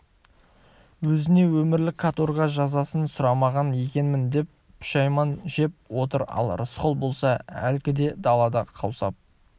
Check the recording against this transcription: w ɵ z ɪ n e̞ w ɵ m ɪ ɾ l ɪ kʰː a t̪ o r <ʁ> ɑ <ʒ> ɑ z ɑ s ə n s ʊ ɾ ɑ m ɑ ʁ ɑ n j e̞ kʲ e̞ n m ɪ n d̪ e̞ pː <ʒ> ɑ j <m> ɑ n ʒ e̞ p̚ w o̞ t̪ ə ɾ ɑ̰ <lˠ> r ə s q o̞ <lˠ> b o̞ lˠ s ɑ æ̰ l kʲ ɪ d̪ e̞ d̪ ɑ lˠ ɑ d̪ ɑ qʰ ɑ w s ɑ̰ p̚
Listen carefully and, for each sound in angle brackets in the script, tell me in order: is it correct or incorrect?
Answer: correct, correct, incorrect: ʃ, correct, correct, correct

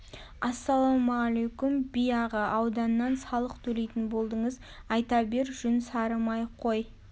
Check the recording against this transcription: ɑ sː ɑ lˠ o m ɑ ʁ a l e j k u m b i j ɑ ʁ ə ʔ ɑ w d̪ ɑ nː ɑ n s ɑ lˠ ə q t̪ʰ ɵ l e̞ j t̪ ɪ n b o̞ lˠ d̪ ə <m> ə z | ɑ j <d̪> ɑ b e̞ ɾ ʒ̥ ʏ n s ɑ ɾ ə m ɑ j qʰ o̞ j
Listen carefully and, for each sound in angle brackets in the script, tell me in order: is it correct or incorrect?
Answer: incorrect: ɴ, incorrect: t̪

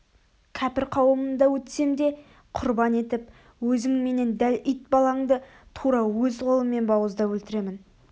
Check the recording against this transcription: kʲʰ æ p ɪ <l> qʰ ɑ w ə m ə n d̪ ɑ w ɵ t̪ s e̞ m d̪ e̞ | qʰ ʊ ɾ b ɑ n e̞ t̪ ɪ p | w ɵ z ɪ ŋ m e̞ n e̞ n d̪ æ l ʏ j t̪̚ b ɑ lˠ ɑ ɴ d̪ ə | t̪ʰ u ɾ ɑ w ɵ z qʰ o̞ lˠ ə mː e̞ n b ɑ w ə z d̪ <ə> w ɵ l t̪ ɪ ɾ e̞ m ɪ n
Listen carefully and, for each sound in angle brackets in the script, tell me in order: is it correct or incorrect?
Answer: incorrect: ɾ, incorrect: ɑ

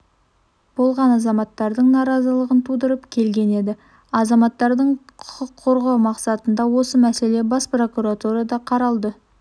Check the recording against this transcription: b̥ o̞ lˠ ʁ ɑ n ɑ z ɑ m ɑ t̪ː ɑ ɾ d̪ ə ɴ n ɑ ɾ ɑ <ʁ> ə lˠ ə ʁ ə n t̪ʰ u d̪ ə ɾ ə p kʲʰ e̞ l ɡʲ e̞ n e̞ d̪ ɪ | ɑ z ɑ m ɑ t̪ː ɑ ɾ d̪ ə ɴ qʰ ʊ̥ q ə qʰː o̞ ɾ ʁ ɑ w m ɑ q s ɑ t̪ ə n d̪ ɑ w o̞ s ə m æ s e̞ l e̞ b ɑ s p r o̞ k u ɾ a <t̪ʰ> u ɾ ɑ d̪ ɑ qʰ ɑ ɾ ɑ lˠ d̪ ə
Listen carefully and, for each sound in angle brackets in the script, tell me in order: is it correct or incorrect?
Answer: incorrect: z, incorrect: t̪

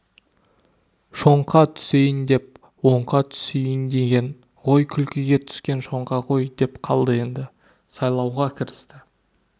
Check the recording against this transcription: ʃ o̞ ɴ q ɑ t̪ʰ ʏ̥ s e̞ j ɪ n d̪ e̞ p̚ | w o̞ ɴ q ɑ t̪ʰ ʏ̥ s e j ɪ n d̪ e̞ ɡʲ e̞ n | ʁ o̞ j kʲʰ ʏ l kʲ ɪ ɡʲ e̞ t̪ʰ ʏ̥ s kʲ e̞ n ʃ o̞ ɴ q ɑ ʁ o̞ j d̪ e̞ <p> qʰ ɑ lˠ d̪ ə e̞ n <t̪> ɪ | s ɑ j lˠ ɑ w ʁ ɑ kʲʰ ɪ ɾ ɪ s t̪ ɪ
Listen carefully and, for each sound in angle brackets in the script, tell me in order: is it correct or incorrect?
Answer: correct, incorrect: d̪

